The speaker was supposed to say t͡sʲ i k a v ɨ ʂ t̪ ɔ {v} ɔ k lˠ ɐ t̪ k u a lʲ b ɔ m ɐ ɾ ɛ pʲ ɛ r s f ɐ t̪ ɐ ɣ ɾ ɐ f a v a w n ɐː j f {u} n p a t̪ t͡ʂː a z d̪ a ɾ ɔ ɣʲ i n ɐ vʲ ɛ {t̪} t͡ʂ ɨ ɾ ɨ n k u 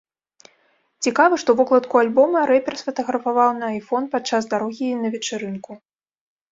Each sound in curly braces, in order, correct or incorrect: correct, incorrect, incorrect

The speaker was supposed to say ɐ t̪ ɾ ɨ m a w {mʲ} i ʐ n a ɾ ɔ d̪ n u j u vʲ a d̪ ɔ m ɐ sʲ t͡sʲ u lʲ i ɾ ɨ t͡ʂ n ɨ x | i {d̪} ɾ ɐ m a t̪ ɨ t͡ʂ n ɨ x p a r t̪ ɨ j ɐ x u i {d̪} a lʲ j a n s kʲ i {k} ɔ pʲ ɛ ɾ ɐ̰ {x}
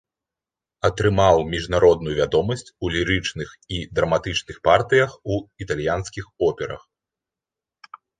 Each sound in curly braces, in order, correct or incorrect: correct, correct, incorrect, incorrect, correct

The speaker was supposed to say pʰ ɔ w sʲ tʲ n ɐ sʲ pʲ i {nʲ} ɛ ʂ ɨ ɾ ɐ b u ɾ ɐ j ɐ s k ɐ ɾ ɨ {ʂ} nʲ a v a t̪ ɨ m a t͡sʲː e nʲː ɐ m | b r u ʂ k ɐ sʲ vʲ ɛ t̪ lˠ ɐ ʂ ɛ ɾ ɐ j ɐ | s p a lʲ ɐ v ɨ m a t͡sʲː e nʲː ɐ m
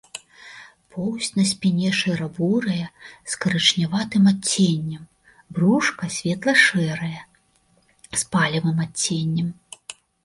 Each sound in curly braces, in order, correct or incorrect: correct, incorrect

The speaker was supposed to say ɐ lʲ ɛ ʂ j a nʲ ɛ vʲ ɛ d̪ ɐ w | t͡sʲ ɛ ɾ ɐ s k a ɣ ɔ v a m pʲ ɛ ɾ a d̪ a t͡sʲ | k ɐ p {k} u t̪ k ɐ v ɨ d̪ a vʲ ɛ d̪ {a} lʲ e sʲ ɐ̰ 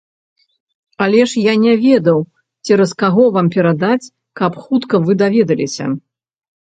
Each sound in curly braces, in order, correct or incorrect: incorrect, incorrect

